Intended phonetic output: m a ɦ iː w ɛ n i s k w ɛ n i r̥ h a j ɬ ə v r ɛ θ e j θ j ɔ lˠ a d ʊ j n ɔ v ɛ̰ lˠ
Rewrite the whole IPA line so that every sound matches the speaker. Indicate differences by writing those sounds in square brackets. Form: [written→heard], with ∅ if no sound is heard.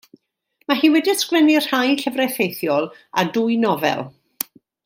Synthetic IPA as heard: m a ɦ iː w ɛ [n→d] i s k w ɛ n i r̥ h a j ɬ ə v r ɛ θ e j θ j ɔ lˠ a d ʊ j n ɔ v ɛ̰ lˠ